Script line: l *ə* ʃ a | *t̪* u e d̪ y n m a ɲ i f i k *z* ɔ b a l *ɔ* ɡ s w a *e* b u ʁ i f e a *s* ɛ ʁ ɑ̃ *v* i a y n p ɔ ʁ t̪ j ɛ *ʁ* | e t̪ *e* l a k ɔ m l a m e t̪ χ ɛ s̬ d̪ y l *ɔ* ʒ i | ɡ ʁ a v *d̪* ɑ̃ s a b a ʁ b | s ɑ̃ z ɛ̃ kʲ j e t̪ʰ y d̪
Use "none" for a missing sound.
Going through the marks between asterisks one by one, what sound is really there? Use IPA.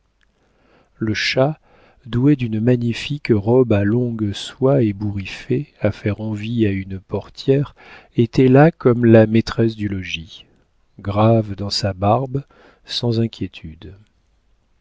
ə, d̪, ʁ, ɔ̃, e, f, v, ʁ, ɛ, ɔ, d̪

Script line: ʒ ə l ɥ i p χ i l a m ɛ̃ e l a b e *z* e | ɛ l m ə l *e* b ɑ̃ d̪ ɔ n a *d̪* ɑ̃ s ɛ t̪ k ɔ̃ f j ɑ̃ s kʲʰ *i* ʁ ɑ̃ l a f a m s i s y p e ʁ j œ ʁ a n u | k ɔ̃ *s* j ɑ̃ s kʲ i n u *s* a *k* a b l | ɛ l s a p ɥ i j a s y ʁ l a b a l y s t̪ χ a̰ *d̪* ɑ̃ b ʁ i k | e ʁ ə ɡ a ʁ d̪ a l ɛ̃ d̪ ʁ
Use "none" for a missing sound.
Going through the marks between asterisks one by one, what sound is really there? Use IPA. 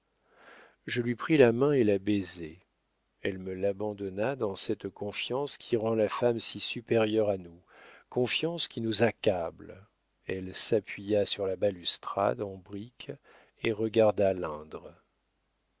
z, a, d̪, i, f, z, k, d̪

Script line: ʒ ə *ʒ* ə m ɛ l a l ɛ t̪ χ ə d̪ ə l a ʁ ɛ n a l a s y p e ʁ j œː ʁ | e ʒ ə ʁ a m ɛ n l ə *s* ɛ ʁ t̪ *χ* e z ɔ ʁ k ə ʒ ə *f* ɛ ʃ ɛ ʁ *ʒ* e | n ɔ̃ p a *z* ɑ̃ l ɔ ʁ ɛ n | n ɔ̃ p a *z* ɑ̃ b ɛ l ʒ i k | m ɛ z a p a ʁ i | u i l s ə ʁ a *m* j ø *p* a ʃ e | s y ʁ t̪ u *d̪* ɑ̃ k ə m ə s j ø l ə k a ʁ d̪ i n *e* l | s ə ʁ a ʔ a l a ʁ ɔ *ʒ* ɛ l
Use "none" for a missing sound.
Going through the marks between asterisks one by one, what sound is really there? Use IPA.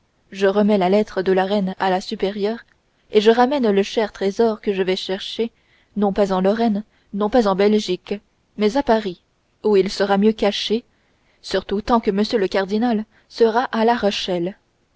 ʁ, ʃ, χ, v, ʃ, z, z, m, k, t̪, a, ʃ

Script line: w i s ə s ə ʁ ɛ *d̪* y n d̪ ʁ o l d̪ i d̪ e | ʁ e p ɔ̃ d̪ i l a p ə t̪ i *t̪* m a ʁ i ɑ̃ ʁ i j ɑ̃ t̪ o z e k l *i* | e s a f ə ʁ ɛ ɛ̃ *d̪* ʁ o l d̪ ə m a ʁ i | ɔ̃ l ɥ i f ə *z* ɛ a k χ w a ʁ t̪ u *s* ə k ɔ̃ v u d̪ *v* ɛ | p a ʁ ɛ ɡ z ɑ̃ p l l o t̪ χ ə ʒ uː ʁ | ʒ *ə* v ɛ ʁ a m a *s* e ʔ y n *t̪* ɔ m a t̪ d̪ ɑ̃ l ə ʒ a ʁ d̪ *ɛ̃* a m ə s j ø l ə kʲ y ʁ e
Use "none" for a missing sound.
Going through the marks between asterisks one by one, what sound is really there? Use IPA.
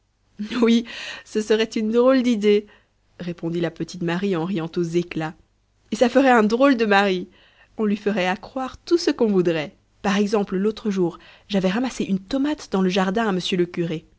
t̪, t̪, a, d̪, ʁ, s, ʁ, a, s, t̪, ɛ̃

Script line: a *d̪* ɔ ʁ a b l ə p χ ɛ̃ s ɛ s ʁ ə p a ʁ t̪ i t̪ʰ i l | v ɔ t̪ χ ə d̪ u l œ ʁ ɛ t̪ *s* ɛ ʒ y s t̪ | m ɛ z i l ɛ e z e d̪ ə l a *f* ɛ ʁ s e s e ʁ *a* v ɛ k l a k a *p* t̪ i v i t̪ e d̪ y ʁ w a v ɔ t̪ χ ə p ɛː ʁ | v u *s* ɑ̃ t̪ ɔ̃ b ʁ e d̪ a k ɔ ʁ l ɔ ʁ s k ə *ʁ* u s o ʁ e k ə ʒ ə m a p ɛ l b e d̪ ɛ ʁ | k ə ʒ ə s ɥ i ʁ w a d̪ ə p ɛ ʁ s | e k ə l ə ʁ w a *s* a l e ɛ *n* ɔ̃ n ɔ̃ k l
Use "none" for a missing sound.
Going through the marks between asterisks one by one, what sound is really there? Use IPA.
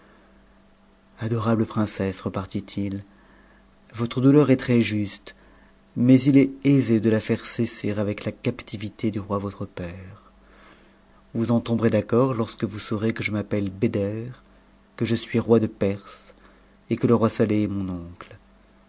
d̪, χ, f, a, p, z, v, s, m

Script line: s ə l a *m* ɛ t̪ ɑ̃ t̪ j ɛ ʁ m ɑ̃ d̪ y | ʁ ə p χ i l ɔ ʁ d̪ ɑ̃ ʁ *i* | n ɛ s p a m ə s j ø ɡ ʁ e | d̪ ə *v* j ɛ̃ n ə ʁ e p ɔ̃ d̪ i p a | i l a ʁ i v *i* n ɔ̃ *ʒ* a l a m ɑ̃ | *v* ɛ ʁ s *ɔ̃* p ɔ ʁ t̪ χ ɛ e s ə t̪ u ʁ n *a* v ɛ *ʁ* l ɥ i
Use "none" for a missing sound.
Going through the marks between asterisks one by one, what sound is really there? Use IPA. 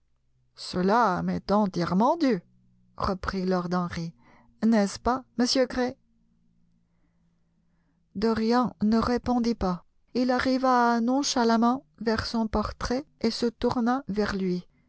m, i, ʁ, a, ʃ, v, ɔ̃, a, ʁ

